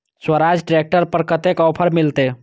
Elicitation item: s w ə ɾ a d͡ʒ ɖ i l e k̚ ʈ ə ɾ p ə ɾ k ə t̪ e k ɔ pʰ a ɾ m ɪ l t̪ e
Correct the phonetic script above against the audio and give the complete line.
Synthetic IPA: s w ə ɾ a d͡ʒ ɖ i ɾ e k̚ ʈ ə ɾ p ə ɾ k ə t̪ e k ɔ pʰ ə ɾ m i l t̪ e